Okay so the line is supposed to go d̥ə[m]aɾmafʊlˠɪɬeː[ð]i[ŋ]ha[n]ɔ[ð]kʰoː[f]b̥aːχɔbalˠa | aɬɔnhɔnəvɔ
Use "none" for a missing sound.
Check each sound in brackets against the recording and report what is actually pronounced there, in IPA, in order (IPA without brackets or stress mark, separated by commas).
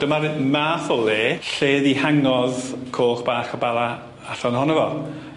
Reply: m, ð, none, ŋ, ð, χ